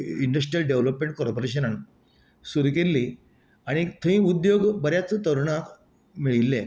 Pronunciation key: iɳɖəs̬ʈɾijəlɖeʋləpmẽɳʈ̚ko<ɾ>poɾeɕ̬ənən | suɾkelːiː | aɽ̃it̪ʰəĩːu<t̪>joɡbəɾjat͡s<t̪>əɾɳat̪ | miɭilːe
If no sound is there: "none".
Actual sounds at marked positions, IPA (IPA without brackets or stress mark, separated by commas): ɾ, d̪, t̪